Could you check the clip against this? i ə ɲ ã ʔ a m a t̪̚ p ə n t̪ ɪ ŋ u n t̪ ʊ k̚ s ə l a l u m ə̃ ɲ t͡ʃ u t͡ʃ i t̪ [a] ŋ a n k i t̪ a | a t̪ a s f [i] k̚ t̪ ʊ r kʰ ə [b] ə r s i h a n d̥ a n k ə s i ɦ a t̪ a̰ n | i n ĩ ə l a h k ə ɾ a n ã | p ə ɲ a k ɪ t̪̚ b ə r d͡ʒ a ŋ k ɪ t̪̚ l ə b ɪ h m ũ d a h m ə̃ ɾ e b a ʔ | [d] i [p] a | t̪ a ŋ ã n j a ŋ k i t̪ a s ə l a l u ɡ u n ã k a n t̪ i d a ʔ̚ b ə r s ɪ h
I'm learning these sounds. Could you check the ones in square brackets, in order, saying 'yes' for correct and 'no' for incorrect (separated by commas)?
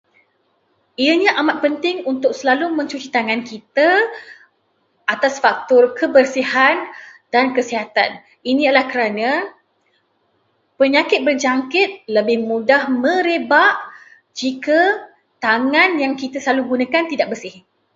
yes, no, yes, no, no